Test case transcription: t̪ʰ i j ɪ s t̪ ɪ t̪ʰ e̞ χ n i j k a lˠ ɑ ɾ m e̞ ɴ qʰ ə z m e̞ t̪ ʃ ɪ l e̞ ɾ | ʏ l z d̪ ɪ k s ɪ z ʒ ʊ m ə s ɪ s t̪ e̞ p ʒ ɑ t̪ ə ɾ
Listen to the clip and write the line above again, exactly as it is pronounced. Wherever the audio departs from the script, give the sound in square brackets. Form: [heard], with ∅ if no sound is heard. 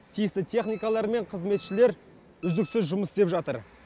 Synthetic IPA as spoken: t̪ʰ i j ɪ s t̪ ɪ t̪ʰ e̞ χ n i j k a lˠ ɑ ɾ m e̞ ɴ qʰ ə z m e̞ t̪ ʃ ɪ l e̞ ɾ | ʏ [∅] z d̪ ɪ k s ɪ z ʒ ʊ m ə s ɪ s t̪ e̞ p ʒ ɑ t̪ ə ɾ